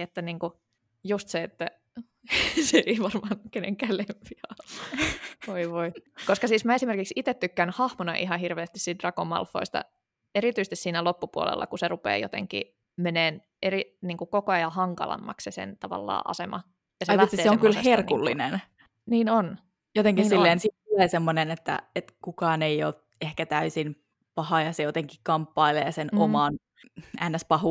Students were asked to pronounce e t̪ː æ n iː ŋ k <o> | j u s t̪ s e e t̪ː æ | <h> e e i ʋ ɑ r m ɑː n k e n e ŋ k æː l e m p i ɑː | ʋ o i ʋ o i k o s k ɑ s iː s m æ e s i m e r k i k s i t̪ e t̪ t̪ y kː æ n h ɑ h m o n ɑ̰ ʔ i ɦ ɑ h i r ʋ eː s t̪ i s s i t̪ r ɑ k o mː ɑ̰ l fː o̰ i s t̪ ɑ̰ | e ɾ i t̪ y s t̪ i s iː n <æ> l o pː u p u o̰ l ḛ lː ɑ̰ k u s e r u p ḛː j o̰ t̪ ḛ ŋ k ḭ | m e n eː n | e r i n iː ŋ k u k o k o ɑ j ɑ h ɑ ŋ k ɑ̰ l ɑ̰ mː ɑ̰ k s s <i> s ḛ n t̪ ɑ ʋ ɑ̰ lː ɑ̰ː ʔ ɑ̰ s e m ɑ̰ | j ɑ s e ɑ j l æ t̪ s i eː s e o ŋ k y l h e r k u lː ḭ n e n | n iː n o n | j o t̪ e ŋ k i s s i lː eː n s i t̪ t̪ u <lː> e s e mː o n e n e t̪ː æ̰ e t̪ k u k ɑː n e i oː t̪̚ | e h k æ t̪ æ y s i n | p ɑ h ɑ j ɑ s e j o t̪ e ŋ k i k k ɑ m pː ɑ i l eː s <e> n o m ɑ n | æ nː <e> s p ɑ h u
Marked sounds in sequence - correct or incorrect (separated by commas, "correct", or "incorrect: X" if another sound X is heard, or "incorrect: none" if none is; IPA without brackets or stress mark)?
incorrect: u, incorrect: s, correct, incorrect: e, incorrect: l, correct, incorrect: æ